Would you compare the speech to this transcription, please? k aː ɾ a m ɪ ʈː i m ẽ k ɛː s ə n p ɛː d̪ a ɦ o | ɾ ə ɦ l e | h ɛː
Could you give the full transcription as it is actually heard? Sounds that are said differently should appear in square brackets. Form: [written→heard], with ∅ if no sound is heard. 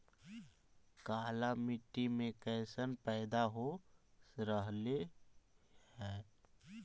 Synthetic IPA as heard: k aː [ɾ→l] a m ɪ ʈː i m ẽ k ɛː s ə n p ɛː d̪ a ɦ o | ɾ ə ɦ l e | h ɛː